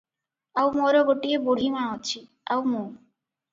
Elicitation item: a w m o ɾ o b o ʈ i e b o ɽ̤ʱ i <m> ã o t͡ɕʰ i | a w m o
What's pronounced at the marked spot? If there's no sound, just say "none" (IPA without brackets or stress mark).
m